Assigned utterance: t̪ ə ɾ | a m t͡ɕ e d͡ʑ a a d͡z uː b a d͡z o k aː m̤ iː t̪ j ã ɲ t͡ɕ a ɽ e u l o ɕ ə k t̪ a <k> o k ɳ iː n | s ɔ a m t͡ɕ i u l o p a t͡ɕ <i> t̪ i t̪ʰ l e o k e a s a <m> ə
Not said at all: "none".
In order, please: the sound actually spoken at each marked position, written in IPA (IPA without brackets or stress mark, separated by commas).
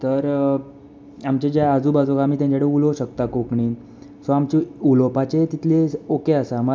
k, e, m